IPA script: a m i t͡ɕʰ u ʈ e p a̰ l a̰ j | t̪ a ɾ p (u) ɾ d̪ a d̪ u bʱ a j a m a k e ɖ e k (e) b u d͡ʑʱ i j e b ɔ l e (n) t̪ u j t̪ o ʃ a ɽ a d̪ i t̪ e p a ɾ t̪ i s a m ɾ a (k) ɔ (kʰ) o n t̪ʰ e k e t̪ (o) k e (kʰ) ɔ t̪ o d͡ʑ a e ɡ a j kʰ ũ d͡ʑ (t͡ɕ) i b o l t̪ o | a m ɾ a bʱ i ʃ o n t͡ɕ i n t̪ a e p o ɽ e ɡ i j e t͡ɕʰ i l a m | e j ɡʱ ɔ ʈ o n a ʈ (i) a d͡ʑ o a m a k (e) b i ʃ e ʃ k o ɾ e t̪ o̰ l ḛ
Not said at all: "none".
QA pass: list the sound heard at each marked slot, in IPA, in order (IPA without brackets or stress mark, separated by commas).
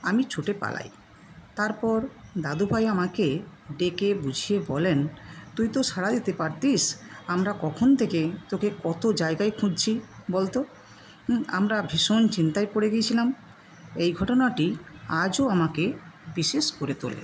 ɔ, e, n, k, kʰ, o, k, t͡ɕʰ, i, e